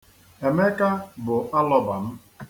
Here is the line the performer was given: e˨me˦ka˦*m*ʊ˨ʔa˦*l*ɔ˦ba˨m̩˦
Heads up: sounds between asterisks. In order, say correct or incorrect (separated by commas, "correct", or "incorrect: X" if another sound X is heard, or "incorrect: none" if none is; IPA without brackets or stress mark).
incorrect: b, correct